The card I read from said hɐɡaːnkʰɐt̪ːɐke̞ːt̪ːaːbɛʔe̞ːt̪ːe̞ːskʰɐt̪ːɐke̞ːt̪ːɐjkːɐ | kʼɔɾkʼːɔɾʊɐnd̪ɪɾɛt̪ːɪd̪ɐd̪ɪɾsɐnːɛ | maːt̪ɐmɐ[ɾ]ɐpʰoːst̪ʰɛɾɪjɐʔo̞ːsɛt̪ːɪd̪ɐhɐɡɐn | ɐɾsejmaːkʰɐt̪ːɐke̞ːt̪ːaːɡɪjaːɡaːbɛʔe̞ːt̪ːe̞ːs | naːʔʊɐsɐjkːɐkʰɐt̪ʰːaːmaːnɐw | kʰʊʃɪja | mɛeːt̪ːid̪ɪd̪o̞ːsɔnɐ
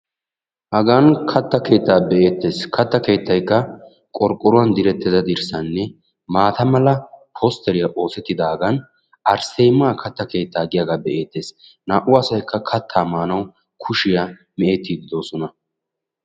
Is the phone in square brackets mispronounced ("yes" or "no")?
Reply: yes